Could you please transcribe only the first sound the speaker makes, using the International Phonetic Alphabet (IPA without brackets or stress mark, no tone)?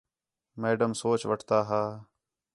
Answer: m